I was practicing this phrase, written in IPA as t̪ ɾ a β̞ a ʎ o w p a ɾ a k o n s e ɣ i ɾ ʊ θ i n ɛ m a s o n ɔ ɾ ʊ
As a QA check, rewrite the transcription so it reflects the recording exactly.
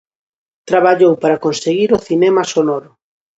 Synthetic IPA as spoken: t̪ ɾ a β̞ a ʎ o w p a ɾ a k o n s e ɣ i ɾ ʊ θ i n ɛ m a s o n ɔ ɾ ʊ